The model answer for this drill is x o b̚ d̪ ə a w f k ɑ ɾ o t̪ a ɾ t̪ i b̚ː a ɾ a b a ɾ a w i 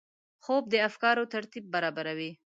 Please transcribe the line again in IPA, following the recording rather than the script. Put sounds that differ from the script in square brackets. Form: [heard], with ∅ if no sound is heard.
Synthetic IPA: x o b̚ d̪ ə a [∅] f k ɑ ɾ o t̪ a ɾ t̪ i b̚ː a ɾ [ɑ] b a ɾ a w i